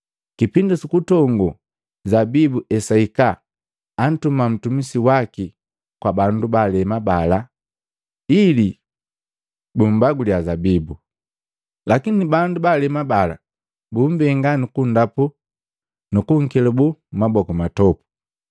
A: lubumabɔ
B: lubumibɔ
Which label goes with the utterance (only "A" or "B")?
A